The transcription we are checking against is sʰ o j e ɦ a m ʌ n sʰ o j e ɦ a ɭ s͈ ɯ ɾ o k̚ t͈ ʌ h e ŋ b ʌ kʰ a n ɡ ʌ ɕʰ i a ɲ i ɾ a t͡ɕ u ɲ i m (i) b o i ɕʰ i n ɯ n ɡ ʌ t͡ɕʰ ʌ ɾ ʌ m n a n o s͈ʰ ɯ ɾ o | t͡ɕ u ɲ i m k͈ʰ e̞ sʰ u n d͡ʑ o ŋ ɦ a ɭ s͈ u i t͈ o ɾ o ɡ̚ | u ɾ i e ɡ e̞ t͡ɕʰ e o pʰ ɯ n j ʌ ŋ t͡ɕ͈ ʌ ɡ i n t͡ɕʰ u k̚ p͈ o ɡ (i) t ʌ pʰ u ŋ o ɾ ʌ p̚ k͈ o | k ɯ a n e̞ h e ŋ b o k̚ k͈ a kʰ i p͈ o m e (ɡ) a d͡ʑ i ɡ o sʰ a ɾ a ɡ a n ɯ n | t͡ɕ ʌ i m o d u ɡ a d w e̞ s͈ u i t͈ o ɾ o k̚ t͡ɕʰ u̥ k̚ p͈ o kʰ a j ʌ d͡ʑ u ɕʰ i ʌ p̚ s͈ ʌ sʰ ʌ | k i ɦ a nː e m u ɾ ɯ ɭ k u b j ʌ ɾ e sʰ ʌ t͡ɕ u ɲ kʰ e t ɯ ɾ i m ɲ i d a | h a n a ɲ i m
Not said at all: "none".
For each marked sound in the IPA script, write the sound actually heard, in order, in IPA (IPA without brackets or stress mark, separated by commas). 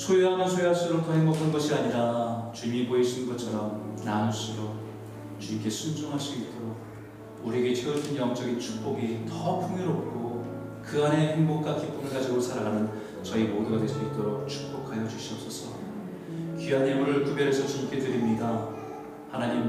i, i, ɡ